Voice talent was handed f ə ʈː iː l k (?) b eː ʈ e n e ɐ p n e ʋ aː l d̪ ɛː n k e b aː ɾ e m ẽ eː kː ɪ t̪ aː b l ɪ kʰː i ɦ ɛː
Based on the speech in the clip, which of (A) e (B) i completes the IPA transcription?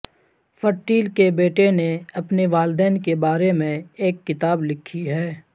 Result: A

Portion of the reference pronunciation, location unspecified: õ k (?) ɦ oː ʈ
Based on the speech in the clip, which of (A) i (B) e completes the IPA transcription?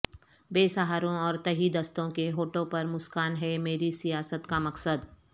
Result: B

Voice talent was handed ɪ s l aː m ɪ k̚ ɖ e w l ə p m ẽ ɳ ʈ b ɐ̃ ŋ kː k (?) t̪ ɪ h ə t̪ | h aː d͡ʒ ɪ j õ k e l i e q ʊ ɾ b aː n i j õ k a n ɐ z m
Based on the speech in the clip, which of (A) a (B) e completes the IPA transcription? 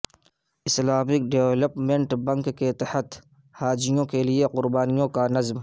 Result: B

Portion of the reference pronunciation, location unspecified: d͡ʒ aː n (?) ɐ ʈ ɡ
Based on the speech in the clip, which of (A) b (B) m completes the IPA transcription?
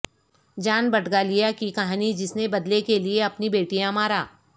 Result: A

